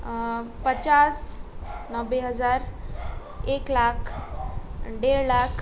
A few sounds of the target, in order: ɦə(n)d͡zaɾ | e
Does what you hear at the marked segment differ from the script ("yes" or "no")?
yes